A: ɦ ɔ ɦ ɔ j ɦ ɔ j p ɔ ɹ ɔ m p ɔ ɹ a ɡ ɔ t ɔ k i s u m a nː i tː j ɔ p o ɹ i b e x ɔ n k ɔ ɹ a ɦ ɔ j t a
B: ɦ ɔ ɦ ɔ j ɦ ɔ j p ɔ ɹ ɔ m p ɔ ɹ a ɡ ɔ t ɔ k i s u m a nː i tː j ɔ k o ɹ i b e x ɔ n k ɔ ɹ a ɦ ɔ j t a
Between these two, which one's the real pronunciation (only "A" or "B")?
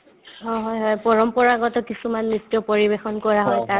A